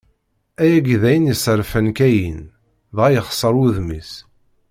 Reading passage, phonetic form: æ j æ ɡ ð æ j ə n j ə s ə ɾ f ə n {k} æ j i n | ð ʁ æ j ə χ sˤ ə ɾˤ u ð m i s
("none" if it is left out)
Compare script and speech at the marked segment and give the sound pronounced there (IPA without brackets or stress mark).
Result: k